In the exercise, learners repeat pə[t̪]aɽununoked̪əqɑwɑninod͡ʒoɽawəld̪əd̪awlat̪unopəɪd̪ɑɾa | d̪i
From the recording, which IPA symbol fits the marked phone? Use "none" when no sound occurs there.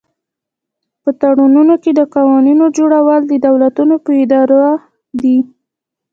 t̪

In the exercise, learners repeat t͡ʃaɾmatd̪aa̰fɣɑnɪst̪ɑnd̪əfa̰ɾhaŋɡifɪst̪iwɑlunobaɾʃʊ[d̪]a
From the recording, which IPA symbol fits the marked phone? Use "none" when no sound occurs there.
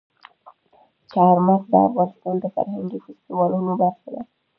d̪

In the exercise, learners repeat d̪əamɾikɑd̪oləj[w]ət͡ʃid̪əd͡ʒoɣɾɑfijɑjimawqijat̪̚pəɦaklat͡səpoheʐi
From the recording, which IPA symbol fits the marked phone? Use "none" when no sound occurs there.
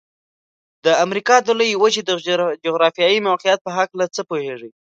w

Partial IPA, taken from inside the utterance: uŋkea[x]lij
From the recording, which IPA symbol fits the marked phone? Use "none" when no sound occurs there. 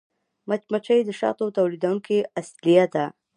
s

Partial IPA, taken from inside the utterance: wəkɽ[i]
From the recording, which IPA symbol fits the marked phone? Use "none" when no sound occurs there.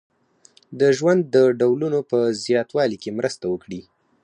i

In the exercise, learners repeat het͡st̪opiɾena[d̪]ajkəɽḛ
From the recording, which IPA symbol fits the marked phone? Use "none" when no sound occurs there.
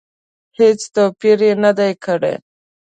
d̪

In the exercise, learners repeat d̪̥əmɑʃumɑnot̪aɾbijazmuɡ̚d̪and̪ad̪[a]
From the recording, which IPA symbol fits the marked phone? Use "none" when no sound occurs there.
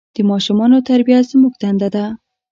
a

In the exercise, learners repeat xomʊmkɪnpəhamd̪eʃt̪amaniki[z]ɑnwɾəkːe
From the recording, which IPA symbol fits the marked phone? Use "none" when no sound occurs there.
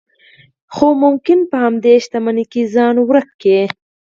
z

